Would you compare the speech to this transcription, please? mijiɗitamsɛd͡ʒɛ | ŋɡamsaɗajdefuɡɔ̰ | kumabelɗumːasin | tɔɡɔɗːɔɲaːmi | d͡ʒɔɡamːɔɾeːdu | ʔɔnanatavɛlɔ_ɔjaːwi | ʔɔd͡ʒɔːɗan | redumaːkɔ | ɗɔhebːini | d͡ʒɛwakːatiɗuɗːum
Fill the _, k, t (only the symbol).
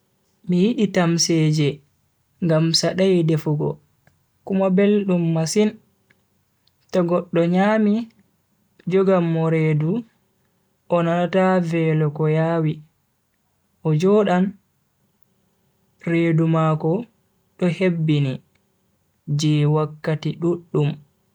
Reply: k